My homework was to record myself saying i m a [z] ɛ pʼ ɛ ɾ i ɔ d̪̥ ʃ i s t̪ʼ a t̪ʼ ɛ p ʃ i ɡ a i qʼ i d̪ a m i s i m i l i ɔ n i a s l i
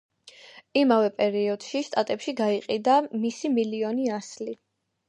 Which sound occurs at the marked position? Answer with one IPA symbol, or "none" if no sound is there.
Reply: v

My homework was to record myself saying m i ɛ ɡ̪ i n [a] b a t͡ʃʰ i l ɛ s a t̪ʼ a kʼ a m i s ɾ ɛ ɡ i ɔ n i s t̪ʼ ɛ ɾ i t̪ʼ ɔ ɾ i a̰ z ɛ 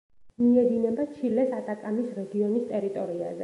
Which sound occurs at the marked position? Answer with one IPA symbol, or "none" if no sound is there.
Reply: ɛ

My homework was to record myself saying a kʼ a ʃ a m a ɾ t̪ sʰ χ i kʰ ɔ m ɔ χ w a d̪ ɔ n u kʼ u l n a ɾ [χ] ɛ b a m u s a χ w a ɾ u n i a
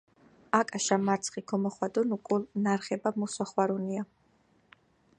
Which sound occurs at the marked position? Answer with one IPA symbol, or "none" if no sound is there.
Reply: χ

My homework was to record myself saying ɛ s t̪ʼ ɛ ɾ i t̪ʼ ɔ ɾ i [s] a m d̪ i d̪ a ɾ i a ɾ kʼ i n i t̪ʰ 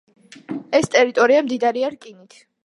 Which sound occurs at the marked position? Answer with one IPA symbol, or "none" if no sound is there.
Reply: none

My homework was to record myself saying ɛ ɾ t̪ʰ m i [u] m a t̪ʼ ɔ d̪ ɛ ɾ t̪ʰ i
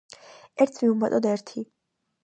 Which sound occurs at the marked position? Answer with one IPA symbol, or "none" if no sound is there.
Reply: u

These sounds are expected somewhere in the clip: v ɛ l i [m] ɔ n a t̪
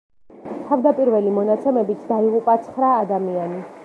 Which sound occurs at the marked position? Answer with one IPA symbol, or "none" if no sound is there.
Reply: m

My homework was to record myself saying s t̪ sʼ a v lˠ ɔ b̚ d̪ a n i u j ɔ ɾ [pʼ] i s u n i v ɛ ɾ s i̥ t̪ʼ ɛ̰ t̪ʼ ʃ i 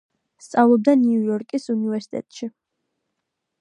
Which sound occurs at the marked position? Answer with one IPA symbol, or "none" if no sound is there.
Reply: kʼ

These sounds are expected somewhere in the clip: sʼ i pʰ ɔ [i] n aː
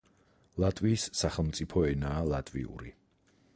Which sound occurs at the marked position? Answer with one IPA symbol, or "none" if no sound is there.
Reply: ɛ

